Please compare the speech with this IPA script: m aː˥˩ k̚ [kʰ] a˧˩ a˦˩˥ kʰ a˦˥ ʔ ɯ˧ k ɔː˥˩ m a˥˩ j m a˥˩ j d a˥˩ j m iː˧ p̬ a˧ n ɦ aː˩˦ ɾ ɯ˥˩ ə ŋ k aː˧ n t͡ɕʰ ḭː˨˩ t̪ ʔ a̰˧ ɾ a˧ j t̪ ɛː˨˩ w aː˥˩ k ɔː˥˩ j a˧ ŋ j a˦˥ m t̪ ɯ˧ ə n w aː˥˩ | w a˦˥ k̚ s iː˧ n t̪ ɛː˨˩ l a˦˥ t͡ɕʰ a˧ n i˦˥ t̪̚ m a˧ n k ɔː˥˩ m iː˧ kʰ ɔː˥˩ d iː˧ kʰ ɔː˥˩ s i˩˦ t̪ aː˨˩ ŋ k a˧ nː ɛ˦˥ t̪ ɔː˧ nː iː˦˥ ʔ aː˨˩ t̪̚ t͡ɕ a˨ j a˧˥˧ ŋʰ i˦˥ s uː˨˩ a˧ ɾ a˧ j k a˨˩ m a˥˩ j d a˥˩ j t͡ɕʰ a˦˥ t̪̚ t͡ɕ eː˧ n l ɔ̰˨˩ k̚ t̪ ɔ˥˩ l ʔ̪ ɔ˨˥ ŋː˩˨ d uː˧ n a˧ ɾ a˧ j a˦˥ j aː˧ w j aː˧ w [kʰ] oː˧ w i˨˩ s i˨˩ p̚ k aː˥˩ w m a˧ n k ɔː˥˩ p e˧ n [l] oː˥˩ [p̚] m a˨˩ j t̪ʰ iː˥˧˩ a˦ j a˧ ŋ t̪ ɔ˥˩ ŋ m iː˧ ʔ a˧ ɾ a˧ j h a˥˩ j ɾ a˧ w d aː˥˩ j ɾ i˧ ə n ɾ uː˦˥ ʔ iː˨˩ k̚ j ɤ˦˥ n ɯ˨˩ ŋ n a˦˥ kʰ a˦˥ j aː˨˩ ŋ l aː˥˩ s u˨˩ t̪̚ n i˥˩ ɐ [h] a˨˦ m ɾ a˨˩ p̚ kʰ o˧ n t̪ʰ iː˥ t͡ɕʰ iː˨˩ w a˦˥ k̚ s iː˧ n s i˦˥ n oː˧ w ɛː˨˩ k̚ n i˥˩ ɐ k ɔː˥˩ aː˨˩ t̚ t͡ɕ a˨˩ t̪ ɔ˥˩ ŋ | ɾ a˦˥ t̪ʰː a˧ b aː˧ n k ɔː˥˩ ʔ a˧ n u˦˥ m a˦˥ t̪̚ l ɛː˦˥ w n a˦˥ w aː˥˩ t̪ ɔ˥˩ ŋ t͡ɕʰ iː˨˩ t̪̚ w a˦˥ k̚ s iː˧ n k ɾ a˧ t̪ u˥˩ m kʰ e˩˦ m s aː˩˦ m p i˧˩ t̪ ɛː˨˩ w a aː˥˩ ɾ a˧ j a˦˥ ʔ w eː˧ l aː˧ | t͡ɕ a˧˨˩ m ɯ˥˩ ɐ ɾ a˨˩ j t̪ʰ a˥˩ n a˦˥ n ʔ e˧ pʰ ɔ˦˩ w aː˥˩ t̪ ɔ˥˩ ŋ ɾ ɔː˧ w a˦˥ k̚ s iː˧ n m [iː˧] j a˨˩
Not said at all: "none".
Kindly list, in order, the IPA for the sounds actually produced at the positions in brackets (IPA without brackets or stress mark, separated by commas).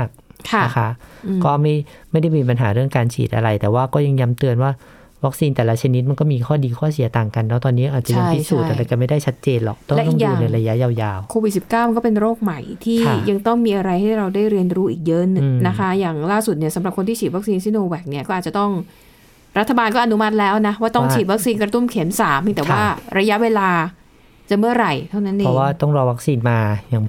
kʰ, kʰ, ɾ, k̚, s, aː˧